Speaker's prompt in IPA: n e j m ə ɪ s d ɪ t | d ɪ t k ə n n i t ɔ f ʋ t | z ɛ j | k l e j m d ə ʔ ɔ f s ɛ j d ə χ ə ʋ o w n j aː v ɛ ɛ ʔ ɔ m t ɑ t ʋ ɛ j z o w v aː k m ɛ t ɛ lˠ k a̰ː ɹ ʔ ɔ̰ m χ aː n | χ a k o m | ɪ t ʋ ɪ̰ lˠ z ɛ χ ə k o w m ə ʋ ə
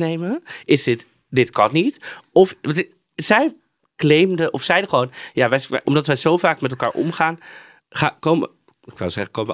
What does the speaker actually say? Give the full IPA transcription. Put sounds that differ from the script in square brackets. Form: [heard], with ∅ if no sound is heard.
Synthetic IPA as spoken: n e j m ə ɪ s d ɪ t | d ɪ t k [ɑ] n n i t ɔ f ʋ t | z ɛ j | k l e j m d ə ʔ ɔ f s ɛ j d ə χ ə ʋ o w n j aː [ʋ] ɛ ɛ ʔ ɔ m [d] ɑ t ʋ ɛ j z o w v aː k m ɛ t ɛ lˠ k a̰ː ɹ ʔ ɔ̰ m χ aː n | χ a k o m | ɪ [k] ʋ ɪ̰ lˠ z ɛ χ ə k o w m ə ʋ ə